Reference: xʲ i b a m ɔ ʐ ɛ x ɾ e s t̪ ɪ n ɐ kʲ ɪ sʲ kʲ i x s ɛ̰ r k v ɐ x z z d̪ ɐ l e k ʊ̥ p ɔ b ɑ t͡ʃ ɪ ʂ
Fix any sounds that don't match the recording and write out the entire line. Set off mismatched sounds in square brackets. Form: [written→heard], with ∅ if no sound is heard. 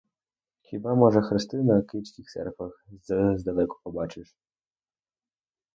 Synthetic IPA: xʲ i b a m ɔ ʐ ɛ x ɾ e s t̪ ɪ n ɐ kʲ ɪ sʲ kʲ i x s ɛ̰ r k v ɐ x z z d̪ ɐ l [e→ɛ] k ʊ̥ p ɔ b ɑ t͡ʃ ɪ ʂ